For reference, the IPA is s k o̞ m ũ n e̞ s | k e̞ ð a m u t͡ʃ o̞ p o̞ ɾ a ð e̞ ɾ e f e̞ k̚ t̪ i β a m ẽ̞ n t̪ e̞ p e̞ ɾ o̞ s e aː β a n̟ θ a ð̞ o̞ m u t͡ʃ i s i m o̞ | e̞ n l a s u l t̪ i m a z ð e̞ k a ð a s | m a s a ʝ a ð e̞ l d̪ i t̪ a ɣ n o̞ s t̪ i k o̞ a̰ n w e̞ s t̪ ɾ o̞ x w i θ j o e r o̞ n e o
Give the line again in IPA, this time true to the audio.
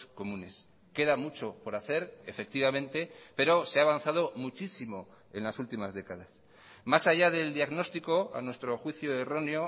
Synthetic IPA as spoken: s k o̞ m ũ n e̞ s | k e̞ ð a m u t͡ʃ o̞ p o̞ ɾ a θ e̞ ɾ e f e̞ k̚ t̪ i β a m ẽ̞ n t̪ e̞ p e̞ ɾ o̞ s e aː β a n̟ θ a ð̞ o̞ m u t͡ʃ i s i m o̞ | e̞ n l a s u l t̪ i m a z ð e̞ k a ð a s | m a s a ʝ a ð e̞ l d̪ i a ɣ n o̞ s t̪ i k o̞ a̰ n w e̞ s t̪ ɾ o̞ x w i θ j o e r o̞ n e o